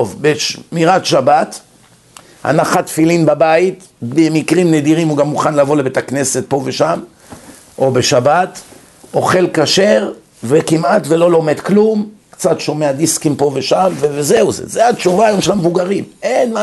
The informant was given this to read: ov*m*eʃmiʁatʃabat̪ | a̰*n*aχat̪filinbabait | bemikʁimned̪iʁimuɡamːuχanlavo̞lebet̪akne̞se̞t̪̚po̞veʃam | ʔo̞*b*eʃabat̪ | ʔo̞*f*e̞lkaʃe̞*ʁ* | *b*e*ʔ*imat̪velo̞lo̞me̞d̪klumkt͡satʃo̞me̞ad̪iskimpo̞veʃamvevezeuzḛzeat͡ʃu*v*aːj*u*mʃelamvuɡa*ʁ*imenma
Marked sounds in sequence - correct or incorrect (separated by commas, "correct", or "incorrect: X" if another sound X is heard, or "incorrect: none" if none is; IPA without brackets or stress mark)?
incorrect: b, correct, correct, incorrect: χ, correct, incorrect: v, incorrect: k, correct, incorrect: o, correct